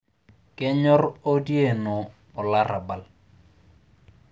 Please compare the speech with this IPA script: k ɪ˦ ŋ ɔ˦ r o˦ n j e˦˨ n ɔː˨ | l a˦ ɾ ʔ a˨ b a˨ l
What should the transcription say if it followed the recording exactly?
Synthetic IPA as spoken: k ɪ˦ ɲ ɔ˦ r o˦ d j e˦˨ n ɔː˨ | l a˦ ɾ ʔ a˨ b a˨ l